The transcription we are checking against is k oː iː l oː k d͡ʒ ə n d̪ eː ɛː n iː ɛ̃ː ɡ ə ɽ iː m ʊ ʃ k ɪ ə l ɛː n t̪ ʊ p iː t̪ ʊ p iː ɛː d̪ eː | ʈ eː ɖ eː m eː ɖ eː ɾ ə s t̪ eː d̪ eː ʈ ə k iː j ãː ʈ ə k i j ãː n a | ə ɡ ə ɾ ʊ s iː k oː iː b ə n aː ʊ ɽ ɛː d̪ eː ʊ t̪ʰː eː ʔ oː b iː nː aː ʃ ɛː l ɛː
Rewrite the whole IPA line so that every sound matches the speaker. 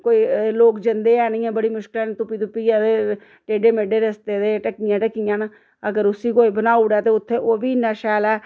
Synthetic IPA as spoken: k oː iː l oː k d͡ʒ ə n d̪ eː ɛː n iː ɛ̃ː b ə ɽ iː m ʊ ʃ k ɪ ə l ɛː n t̪ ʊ p iː t̪ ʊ p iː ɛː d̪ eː | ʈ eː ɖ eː m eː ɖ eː ɾ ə s t̪ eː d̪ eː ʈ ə k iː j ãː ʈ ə k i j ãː n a | ə ɡ ə ɾ ʊ s iː k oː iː b ə n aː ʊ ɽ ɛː t̪ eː ʊ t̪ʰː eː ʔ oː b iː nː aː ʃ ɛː l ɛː